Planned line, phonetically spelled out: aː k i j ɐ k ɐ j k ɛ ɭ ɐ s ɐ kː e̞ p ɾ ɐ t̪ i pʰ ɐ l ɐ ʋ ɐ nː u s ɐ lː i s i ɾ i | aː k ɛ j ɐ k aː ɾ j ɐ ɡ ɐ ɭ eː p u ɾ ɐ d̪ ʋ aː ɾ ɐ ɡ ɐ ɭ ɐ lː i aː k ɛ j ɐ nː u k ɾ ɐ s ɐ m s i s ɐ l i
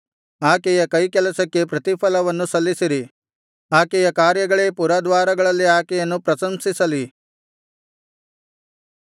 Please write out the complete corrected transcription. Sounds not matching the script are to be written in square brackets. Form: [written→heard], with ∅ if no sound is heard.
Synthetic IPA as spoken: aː k [i→ɛ] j ɐ k ɐ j k ɛ [ɭ→l] ɐ s ɐ kː e̞ p ɾ ɐ t̪ i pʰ ɐ l ɐ ʋ ɐ nː u s ɐ lː i s i ɾ i | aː k ɛ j ɐ k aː ɾ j ɐ ɡ ɐ ɭ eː p u ɾ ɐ d̪ ʋ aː ɾ ɐ ɡ ɐ ɭ ɐ lː i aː k ɛ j ɐ nː u [k→p] ɾ ɐ s ɐ m s i s ɐ l i